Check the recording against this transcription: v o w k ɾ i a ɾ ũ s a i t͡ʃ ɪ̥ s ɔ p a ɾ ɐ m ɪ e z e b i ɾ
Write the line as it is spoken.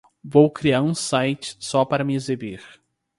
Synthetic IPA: v o w k ɾ i a ɾ ũ s a j t͡ʃ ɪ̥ s ɔ p a ɾ ɐ m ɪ e z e b i ɾ